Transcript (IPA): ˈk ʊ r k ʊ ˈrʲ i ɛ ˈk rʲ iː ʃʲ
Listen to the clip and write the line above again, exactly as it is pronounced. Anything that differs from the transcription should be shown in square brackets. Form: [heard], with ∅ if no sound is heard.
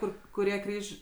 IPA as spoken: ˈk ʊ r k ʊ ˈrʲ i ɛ ˈk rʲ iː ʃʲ